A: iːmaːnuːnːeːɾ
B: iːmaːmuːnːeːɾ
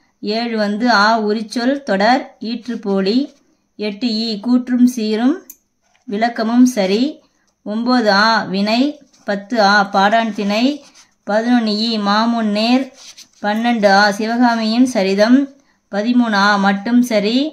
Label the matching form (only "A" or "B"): B